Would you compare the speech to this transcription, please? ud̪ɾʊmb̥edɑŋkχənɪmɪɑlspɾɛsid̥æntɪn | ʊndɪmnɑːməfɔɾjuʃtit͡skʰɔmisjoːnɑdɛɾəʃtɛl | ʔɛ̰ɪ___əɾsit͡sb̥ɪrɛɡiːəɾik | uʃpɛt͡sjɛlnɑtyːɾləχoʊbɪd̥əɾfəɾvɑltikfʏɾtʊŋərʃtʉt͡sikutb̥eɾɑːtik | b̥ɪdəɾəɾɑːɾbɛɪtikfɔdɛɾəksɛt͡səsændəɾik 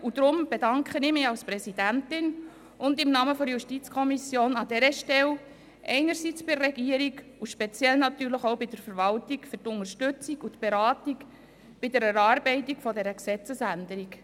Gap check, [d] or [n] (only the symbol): n